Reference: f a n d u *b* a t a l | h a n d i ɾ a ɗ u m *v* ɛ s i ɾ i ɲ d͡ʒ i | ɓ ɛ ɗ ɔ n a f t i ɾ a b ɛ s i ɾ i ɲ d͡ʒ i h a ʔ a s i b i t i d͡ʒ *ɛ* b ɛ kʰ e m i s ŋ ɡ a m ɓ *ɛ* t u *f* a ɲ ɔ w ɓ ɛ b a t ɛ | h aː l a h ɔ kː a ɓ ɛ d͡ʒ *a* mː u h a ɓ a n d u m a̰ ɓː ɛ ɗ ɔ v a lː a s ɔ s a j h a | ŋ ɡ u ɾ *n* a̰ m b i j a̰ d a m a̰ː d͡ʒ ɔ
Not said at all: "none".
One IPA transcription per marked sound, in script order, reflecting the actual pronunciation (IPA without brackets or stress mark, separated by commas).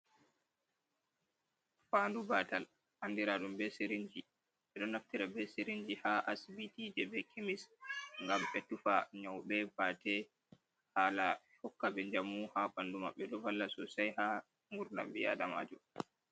b, b, ɛ, ɛ, f, a, n